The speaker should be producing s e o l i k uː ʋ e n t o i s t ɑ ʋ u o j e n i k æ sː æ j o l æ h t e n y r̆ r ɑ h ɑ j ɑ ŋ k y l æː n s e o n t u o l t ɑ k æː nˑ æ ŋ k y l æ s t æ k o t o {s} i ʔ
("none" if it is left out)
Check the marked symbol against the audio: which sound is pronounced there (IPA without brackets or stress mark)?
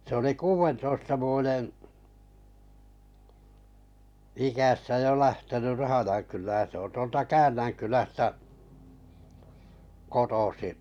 s